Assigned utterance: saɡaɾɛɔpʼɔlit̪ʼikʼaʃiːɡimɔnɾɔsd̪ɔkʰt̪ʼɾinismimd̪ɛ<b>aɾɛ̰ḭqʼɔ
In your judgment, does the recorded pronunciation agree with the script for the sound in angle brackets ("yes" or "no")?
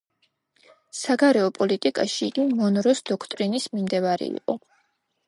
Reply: no